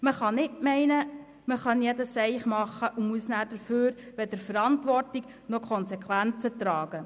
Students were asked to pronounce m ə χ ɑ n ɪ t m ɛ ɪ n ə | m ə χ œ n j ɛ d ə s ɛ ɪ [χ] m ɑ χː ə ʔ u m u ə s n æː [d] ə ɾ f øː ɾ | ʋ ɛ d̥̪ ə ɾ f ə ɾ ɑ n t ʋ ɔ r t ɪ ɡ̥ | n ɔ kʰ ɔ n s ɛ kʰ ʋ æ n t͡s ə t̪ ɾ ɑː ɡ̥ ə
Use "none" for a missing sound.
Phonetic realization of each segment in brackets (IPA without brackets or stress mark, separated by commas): χ, d